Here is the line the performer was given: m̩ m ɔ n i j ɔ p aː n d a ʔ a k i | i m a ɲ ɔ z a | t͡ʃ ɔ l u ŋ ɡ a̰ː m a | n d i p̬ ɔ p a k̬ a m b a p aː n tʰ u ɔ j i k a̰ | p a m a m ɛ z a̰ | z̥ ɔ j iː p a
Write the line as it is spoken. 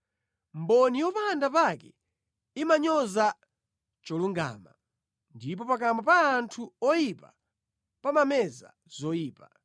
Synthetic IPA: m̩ b ɔ n i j ɔ p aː n d a p a k ɛ | i m a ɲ ɔ z a | t͡ʃ ɔ l u ŋ ɡ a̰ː m a | n d i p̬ ɔ p a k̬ a m b a p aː n tʰ u ɔ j i p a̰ | p a m a m ɛ z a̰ | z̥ ɔ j iː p a